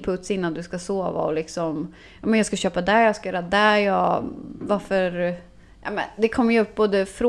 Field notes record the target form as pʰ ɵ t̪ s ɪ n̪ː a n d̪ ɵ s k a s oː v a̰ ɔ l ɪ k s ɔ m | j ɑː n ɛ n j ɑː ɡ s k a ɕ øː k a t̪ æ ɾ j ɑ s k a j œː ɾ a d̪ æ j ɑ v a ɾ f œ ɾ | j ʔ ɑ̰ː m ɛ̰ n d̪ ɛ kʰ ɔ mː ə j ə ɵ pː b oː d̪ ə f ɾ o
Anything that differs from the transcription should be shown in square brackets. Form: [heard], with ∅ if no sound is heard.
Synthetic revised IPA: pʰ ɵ t̪ s ɪ n̪ː a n d̪ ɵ s k a s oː v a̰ ɔ l ɪ k s ɔ m | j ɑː [m] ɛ n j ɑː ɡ s k a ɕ øː [p] a [d̪] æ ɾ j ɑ s k a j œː ɾ a d̪ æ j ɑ v a ɾ f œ ɾ | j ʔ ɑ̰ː m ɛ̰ n d̪ ɛ kʰ ɔ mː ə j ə ɵ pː b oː d̪ ə f ɾ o